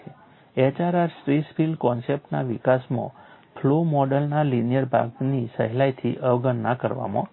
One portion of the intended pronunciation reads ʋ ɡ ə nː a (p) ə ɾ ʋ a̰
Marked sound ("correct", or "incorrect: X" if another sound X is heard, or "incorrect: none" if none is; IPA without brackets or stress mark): incorrect: k